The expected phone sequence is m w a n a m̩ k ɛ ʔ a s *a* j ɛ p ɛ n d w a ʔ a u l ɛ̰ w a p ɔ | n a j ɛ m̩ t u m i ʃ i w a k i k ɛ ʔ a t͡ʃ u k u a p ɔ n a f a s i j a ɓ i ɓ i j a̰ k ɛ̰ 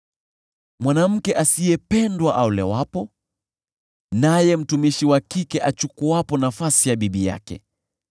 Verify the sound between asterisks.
incorrect: i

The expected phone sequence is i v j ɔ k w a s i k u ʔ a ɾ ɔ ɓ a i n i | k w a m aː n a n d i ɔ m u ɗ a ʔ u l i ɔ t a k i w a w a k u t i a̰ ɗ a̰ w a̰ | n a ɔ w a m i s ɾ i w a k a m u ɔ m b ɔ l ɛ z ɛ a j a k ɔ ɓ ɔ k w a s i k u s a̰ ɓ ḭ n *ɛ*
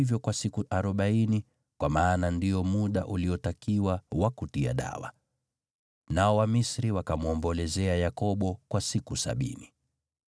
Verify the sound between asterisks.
incorrect: i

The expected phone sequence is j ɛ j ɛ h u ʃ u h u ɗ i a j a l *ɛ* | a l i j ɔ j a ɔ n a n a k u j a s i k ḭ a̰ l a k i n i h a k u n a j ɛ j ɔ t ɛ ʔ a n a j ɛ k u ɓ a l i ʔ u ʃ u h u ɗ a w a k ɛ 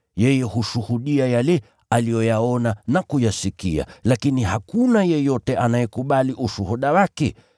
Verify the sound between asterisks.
correct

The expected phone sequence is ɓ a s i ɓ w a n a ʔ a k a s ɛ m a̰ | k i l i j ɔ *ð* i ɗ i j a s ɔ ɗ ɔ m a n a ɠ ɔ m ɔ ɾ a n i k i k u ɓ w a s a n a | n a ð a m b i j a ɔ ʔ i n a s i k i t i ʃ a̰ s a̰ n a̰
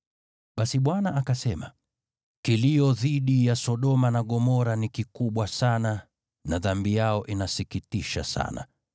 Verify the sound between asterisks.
correct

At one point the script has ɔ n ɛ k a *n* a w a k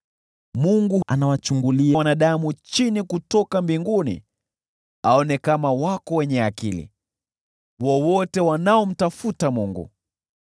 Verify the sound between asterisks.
incorrect: m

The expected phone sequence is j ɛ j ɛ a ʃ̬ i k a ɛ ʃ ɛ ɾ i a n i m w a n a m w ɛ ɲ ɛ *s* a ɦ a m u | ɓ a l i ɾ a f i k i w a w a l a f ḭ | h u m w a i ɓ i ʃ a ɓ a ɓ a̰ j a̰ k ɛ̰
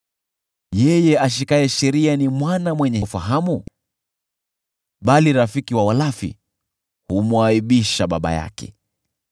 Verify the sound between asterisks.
incorrect: f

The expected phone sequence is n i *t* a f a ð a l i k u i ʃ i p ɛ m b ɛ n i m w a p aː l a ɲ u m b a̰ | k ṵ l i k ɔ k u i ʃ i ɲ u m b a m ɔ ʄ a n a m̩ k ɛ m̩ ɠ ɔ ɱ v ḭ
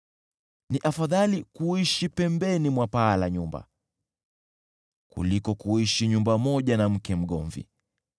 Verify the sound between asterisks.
incorrect: ʔ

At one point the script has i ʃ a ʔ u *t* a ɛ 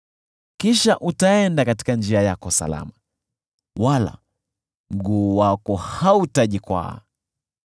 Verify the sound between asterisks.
correct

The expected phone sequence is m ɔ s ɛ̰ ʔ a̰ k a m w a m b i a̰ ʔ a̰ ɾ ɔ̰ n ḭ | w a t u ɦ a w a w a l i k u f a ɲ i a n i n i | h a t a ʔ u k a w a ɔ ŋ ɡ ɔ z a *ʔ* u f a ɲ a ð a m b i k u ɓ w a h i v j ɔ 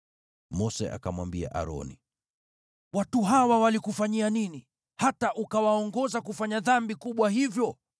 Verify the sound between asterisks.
incorrect: k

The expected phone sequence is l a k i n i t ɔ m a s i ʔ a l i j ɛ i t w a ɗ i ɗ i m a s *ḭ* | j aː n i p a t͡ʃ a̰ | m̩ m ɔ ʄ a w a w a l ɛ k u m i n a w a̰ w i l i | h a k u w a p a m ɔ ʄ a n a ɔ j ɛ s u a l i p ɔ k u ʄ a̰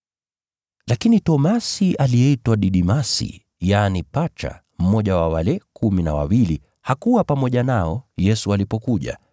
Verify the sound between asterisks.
correct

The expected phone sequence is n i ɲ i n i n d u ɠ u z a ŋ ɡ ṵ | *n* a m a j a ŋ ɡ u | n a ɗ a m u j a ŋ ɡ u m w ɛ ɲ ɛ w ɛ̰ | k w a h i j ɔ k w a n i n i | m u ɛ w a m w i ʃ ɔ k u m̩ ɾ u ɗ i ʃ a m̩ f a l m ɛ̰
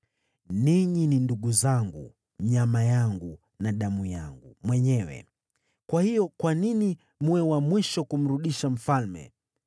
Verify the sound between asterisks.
incorrect: ɲ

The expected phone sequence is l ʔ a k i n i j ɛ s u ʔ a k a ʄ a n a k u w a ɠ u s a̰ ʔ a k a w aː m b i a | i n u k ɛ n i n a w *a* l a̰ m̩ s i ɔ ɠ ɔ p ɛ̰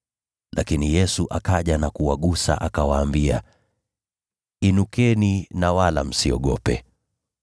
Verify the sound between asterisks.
correct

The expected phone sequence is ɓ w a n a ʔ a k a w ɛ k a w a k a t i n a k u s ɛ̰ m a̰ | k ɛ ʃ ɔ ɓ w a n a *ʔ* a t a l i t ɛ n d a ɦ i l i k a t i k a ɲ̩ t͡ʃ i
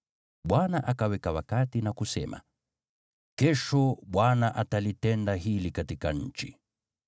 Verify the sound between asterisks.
correct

